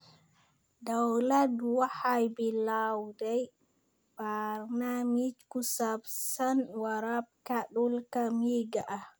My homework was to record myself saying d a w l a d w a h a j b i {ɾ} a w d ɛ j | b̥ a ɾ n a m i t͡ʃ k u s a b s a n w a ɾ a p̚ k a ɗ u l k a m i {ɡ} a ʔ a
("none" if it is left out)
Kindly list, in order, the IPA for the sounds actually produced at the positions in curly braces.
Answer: l, ɡ

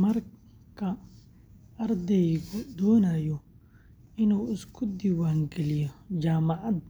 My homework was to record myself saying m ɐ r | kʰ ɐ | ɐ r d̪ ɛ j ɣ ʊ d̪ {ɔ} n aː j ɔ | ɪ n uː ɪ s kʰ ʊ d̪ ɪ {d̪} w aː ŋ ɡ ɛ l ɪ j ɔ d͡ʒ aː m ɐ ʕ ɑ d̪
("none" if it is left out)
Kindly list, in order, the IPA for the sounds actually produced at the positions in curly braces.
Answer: ɔː, none

